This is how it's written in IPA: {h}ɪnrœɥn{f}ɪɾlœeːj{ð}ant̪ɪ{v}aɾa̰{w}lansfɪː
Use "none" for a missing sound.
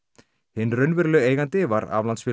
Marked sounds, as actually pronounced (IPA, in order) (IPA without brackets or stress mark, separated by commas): h, v, ɣ, v, v